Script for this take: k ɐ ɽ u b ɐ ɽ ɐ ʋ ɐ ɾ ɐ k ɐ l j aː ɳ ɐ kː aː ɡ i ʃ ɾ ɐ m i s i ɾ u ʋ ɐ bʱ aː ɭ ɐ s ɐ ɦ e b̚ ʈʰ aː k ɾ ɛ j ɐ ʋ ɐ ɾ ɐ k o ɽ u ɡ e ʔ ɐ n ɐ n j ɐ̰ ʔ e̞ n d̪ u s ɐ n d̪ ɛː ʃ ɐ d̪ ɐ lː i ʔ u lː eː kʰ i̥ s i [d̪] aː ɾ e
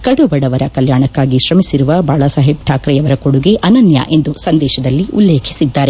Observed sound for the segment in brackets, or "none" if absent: d̪ː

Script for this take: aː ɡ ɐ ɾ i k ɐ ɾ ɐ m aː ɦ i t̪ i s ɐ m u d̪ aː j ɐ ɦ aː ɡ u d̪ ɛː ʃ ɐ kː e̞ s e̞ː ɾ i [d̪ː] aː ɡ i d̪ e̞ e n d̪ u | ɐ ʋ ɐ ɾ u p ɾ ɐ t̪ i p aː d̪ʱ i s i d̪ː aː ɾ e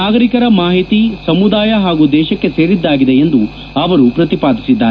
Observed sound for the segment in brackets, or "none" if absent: d̪ː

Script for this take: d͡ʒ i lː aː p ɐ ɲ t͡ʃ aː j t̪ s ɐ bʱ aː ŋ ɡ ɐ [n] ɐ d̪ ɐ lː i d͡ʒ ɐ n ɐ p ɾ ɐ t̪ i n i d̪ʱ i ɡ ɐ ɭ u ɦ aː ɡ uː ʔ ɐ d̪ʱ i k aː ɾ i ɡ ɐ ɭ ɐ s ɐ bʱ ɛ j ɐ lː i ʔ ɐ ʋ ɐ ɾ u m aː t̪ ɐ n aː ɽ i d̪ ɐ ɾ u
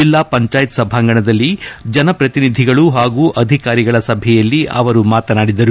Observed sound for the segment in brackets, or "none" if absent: ɳ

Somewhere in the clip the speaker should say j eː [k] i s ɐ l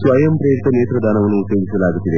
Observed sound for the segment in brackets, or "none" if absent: ɡ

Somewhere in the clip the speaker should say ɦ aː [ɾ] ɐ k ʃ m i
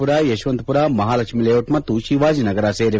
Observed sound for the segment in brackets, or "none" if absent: l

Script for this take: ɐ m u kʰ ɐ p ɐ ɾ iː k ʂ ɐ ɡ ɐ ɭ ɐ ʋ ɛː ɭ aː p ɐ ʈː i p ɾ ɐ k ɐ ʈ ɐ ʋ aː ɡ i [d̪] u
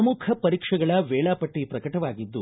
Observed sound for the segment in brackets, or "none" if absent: d̪ː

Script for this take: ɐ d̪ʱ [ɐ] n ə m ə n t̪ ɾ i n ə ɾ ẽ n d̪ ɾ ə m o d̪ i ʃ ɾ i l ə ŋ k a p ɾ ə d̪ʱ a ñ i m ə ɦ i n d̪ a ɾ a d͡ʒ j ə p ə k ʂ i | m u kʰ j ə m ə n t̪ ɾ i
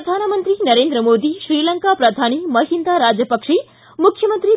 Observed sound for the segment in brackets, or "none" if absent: a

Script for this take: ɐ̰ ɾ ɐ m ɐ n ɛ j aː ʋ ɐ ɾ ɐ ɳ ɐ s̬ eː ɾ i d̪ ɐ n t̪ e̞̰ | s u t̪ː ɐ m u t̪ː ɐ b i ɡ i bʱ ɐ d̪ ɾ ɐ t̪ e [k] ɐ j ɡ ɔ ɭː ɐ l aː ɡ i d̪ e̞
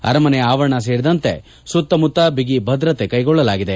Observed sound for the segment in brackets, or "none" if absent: k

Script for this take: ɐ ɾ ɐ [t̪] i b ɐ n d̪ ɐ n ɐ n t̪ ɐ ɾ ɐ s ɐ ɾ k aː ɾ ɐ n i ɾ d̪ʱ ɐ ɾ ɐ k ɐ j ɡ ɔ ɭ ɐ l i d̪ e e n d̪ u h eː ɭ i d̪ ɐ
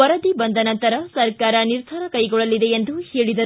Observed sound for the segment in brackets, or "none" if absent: d̪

